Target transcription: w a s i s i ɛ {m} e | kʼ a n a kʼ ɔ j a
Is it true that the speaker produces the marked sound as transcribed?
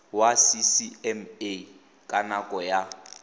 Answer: yes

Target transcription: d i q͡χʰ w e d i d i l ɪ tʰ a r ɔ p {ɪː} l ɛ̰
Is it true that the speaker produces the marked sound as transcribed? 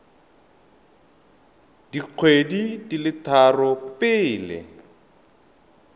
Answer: yes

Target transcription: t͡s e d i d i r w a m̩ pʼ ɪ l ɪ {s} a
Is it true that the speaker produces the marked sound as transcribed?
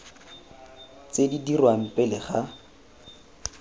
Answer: no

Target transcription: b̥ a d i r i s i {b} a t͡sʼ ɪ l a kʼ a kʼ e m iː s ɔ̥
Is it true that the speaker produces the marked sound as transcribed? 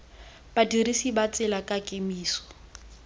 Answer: yes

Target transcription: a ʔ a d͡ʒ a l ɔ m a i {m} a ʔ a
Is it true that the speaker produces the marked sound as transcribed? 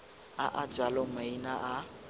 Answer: no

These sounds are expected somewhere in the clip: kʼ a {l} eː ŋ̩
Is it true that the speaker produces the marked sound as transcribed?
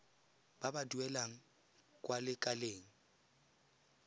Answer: yes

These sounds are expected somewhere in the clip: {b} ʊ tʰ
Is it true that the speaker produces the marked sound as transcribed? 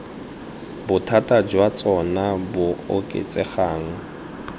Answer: yes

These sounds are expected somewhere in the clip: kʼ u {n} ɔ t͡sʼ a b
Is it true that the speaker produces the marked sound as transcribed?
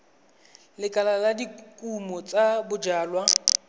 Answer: no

